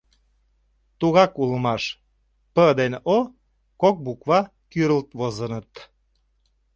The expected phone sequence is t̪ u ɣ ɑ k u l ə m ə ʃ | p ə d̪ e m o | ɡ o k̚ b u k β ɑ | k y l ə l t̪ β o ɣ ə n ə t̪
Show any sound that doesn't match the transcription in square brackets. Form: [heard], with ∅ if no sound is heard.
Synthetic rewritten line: t̪ u ɣ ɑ k u l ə m [ɑ] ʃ | p ə d̪ e [n] o | [k] o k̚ b u k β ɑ | k y [ɾ] ə l t̪ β o [z] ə n ə t̪

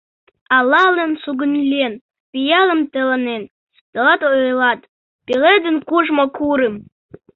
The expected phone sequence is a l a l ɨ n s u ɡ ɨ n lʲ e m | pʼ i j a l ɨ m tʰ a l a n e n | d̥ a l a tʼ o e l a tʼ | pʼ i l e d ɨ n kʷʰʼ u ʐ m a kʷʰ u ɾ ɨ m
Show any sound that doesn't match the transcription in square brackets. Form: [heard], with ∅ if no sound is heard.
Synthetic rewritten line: a l a l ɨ n s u ɡ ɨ n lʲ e [n] | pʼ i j a l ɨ m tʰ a l a n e n | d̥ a l a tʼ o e l a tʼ | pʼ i l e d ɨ n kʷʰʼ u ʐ m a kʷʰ u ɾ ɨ m

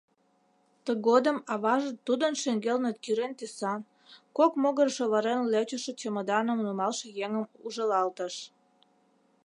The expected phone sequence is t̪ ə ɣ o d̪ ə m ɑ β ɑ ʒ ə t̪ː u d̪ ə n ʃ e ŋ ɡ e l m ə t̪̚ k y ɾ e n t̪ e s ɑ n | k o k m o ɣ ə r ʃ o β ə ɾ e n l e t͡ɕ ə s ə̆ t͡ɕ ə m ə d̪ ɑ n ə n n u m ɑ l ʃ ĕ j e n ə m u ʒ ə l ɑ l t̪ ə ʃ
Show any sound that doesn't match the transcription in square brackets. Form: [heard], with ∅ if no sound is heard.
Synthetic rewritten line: t̪ ə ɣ o d̪ ə m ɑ β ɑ ʒ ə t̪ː u d̪ ə n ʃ e ŋ ɡ e l [n] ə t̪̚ k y ɾ e n t̪ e s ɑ n | k o k m o ɣ ə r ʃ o β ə ɾ e n l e t͡ɕ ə [ʃ] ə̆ t͡ɕ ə m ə d̪ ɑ n ə [m] n u m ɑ l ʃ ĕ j e [ŋ] ə m u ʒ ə l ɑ l t̪ ə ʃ

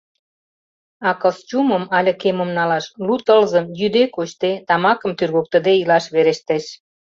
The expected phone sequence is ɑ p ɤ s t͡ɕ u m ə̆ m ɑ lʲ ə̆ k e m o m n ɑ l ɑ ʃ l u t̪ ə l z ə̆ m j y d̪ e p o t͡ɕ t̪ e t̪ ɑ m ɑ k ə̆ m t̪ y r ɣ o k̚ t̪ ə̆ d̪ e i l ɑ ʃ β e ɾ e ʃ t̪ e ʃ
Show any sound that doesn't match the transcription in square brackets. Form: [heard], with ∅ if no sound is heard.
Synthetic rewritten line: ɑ [k] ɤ s t͡ɕ u m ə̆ m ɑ lʲ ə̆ k e m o m n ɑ l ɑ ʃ l u t̪ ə l z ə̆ m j y d̪ e [k] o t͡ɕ t̪ e t̪ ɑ m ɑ k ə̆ m t̪ y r ɣ o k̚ t̪ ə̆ d̪ e i l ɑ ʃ β e ɾ e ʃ t̪ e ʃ

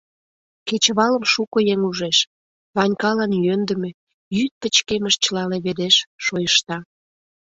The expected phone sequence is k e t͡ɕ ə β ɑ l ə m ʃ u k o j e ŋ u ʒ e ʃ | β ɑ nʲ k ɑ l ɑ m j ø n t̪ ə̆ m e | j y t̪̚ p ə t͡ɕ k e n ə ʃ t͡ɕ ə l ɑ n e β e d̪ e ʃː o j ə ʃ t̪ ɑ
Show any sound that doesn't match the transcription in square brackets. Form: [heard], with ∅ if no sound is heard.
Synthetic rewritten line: k e t͡ɕ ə β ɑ l ə m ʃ u k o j e ŋ u ʒ e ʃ | β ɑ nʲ k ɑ l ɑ [n] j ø n [d̪] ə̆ m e | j y t̪̚ p ə t͡ɕ k e [m] ə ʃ t͡ɕ ə l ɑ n e β e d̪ e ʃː o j ə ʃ t̪ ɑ

